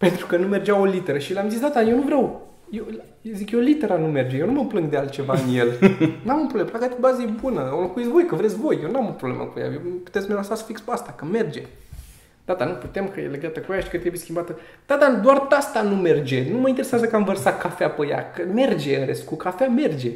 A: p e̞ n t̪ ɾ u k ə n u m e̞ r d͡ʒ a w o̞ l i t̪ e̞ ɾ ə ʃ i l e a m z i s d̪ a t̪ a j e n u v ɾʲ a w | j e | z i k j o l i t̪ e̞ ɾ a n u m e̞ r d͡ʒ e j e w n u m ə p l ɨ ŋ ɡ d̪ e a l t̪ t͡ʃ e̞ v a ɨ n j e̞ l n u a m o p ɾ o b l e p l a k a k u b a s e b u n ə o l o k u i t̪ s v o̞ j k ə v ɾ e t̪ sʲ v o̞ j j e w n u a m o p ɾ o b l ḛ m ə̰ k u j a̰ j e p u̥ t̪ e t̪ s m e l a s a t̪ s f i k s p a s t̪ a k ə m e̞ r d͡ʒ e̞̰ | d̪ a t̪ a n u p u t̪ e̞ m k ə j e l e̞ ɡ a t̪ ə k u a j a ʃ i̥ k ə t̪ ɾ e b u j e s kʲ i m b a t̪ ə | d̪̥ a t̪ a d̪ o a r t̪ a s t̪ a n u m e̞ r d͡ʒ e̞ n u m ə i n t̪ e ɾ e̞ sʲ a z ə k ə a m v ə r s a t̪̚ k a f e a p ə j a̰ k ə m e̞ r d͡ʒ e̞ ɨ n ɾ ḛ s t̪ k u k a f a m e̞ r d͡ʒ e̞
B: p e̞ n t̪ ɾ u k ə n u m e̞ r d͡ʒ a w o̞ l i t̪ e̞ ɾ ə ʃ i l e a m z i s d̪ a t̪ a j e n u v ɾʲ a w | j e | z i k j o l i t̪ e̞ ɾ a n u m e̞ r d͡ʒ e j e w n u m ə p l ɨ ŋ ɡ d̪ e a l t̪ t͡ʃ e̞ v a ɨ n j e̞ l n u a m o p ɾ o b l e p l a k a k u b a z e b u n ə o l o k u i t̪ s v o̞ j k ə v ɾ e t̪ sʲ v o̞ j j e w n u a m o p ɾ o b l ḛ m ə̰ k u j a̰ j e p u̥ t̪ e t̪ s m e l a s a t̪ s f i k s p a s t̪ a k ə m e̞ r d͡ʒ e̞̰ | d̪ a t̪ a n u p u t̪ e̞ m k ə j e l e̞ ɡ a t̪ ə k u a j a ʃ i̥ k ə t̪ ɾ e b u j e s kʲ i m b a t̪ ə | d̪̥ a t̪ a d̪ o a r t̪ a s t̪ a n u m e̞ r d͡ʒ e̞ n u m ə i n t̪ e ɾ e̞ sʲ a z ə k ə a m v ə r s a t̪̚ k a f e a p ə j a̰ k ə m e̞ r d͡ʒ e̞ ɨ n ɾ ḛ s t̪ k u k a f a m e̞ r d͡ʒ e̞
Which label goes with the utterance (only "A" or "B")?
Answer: B